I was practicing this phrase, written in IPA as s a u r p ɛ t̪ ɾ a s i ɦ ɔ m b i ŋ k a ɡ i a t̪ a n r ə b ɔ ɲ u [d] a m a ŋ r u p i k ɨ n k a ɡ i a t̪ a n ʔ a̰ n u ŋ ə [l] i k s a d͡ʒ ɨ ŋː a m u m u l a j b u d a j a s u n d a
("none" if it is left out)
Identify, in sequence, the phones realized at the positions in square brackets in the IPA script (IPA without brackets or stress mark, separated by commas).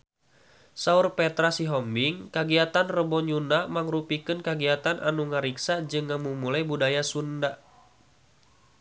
n, ɾ